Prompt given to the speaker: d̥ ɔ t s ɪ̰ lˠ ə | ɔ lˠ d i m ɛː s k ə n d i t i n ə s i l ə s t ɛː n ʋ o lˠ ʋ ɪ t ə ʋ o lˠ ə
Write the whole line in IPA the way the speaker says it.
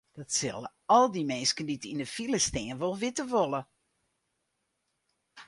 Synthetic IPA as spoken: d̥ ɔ t s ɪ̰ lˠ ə | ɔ lˠ d i m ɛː s k ə n d i t i n ə f i l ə s t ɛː n ʋ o lˠ ʋ ɪ t ə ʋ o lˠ ə